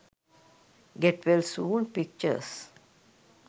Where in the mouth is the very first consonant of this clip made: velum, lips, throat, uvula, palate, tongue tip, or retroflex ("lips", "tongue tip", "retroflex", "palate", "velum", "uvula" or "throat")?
velum